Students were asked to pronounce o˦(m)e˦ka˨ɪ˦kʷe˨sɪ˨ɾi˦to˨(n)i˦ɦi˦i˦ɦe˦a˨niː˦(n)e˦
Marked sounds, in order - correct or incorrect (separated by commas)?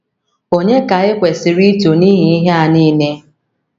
incorrect, correct, correct